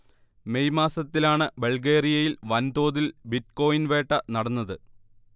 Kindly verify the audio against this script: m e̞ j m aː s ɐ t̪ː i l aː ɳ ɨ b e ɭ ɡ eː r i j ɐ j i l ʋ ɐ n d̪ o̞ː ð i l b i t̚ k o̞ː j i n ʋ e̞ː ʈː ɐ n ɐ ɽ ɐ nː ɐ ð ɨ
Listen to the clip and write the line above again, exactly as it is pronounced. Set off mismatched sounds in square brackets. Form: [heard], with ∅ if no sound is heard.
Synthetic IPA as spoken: m e̞ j m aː s ɐ t̪ː i l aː ɳ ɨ b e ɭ ɡ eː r i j ɐ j i l ʋ ɐ n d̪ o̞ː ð i l b i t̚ k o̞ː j i n ʋ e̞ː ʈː ɐ n ɐ ɽ ɐ nː ɐ ð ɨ